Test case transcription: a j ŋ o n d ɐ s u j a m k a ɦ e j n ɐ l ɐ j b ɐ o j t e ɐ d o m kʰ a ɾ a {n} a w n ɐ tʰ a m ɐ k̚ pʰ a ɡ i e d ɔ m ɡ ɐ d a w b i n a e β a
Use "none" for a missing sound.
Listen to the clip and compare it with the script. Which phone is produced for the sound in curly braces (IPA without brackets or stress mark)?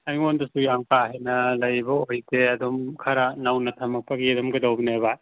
n